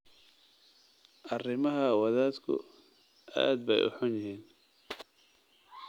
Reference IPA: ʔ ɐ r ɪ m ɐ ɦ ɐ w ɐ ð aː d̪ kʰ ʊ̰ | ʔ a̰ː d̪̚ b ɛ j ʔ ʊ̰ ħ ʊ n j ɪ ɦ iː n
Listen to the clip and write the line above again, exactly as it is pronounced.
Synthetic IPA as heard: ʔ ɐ r ɪ m ɐ ɦ ɐ w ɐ ð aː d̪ kʰ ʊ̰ | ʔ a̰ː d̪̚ b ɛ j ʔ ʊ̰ ħ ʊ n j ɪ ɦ iː n